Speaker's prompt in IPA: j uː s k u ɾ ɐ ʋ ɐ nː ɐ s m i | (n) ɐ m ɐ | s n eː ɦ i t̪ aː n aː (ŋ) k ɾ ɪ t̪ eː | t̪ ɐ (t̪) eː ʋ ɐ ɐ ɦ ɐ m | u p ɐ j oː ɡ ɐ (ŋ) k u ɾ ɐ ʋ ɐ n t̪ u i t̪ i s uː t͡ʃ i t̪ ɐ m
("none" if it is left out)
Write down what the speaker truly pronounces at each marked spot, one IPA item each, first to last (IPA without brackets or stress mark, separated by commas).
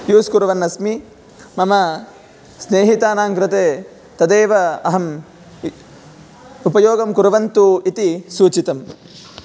m, ŋ, d̪, m